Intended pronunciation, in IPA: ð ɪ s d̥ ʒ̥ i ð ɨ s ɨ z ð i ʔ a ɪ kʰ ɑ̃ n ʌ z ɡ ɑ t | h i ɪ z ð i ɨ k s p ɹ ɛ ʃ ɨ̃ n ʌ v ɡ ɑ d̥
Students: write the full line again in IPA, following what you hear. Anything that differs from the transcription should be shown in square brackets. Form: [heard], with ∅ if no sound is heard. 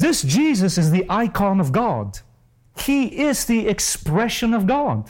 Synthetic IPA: ð ɪ s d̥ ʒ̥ i [z] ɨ s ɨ z ð i ʔ a ɪ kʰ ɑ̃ n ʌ [v] ɡ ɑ [d] | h i ɪ z ð i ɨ k s p ɹ ɛ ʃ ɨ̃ n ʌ v ɡ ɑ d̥